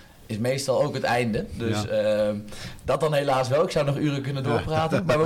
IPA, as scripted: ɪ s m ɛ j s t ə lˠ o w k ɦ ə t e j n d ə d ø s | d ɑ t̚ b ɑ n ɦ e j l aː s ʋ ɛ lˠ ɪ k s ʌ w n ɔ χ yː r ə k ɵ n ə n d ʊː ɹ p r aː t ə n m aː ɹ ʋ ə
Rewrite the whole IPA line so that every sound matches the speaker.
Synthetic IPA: ɪ s m e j s t ɑ lˠ o w k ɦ ə t ɛ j n d ə d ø s | d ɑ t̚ d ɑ n ɦ e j l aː s ʋ ɛ lˠ ɪ k s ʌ w n ɔ χ yː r ə k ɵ n ə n d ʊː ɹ p r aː t ə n m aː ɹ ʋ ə